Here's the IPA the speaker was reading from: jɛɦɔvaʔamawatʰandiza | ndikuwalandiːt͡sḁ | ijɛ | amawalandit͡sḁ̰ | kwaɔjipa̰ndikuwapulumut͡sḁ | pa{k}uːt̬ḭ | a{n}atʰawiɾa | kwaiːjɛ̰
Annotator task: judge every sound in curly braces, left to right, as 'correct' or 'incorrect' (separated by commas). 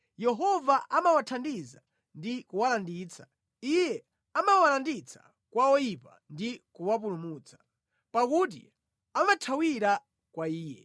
correct, incorrect